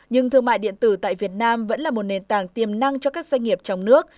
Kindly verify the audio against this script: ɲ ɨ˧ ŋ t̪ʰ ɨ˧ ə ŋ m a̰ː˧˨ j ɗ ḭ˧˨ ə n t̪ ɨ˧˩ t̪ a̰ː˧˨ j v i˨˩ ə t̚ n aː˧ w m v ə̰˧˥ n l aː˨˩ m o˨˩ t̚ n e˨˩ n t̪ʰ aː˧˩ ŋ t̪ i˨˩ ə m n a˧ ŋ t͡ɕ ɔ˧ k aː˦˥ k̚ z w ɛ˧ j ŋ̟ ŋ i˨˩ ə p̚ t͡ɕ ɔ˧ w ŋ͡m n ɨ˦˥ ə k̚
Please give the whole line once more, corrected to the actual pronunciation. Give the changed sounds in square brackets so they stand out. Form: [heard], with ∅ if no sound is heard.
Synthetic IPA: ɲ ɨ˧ ŋ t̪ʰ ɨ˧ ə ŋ m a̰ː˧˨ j ɗ ḭ˧˨ ə n t̪ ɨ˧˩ t̪ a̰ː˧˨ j v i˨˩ ə t̚ n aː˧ [∅] m v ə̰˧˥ n l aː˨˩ m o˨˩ t̚ n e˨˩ n [t̪] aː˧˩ ŋ t̪ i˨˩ ə m n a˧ ŋ t͡ɕ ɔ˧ k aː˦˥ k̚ z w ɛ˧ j ŋ̟ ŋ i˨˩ ə p̚ t͡ɕ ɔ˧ w ŋ͡m n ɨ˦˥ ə k̚